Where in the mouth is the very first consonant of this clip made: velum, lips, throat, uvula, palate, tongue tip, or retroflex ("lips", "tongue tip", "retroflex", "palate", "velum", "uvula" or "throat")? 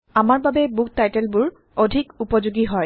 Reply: lips